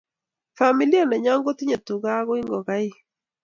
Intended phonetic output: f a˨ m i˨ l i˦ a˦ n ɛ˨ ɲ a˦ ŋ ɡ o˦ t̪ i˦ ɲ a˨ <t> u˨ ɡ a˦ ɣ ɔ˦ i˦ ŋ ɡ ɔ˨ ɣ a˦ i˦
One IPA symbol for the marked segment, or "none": t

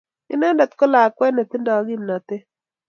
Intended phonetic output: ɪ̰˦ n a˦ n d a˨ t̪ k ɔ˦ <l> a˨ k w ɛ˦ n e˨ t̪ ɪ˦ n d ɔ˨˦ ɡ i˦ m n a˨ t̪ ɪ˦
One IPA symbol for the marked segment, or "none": l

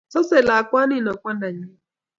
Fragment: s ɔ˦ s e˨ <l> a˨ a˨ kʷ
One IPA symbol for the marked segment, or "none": l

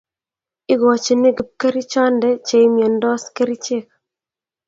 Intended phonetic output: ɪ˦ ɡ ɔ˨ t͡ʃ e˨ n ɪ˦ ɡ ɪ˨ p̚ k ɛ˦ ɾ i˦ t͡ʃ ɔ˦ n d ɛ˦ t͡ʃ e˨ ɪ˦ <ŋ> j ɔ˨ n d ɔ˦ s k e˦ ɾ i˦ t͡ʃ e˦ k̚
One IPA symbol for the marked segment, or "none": m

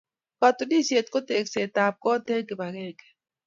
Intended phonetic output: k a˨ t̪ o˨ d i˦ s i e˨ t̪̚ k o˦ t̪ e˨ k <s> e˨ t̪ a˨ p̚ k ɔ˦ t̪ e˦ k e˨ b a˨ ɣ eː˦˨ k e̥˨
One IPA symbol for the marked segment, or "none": s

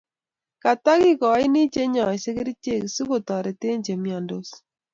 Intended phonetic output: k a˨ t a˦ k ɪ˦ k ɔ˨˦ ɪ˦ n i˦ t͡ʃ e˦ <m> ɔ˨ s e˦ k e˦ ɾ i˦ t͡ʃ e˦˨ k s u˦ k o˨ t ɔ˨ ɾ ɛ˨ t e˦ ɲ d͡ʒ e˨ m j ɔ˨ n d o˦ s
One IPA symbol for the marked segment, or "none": ɲ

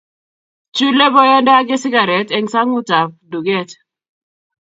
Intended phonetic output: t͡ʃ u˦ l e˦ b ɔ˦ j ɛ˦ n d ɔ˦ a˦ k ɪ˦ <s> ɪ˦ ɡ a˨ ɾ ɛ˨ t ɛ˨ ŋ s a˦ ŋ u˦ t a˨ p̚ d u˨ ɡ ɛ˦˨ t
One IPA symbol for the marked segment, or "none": s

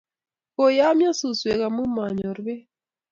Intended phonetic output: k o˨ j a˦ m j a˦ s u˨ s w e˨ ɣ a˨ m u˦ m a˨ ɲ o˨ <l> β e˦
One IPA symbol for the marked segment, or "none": ɾ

